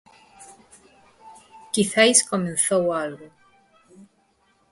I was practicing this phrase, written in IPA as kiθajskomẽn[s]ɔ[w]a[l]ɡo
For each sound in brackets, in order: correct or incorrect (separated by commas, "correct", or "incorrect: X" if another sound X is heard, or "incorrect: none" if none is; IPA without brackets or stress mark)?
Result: incorrect: θ, correct, correct